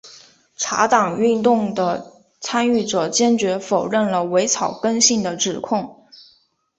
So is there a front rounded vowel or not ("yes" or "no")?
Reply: yes